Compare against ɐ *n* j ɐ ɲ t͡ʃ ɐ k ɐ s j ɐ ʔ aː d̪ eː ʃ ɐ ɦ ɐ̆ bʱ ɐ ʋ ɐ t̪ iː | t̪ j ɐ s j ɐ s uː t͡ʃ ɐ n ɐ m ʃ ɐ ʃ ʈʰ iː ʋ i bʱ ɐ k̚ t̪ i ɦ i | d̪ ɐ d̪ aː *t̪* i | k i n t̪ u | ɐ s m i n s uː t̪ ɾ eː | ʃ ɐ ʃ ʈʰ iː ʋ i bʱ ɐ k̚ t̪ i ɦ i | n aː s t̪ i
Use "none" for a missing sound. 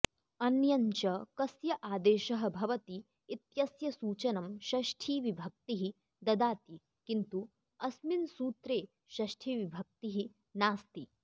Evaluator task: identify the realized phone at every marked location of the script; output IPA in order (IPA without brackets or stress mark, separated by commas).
n, t̪